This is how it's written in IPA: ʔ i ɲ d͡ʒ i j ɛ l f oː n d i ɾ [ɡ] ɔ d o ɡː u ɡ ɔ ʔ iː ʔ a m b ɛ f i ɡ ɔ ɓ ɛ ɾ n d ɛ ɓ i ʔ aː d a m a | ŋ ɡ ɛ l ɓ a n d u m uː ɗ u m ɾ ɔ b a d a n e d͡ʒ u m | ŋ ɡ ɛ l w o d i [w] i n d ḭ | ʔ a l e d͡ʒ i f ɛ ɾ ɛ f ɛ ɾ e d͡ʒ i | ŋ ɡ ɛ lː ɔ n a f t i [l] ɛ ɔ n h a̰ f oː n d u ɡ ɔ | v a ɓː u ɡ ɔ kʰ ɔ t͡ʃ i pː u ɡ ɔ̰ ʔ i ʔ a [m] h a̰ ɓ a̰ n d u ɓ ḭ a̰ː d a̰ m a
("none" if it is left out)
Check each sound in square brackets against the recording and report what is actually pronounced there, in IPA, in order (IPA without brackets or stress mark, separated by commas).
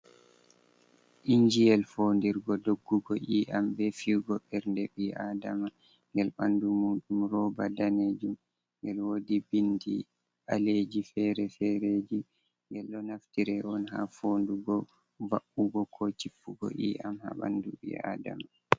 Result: ɡ, b, ɾ, m